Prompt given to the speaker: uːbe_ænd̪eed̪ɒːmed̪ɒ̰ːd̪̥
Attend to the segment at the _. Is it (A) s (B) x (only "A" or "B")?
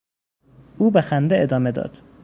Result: B